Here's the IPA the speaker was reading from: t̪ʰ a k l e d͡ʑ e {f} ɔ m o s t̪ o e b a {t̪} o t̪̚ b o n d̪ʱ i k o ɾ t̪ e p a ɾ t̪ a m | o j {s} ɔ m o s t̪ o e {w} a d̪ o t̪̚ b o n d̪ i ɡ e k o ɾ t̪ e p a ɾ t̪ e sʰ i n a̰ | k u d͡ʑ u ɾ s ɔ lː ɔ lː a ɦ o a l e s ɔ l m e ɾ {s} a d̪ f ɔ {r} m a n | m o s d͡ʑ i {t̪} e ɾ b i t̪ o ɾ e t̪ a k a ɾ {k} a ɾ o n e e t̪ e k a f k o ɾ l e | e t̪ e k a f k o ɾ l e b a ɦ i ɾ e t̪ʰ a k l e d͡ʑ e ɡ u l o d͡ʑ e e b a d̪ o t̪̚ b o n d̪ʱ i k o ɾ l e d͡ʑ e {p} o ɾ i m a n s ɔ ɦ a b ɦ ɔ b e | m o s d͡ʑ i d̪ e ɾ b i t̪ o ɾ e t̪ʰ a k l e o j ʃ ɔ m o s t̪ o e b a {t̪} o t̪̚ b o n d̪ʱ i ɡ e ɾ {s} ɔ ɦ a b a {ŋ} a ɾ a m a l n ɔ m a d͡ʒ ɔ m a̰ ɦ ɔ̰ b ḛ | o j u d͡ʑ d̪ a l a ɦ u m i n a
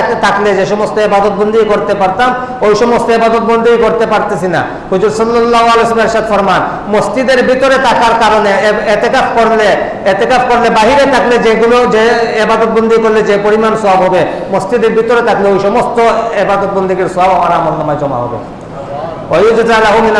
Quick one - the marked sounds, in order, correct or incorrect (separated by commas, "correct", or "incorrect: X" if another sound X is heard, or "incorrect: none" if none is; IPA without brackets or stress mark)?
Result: incorrect: ʃ, incorrect: d̪, incorrect: ʃ, incorrect: b, incorrect: ʃ, incorrect: ɾ, incorrect: d̪, correct, correct, incorrect: d̪, correct, incorrect: m